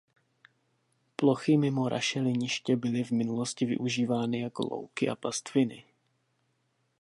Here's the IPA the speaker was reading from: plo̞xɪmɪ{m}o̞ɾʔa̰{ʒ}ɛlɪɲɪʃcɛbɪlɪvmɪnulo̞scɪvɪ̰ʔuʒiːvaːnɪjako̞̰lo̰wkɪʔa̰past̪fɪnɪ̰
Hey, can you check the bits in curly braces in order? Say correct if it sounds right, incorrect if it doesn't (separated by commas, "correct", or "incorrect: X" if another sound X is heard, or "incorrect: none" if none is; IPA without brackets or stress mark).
correct, incorrect: ʃ